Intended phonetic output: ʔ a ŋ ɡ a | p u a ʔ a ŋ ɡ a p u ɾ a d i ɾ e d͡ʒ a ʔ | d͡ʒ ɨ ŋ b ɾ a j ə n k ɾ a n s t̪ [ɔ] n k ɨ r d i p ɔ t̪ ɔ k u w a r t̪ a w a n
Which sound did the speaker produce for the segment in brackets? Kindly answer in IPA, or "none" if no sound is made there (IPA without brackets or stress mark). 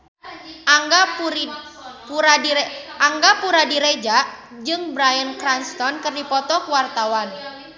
ɔ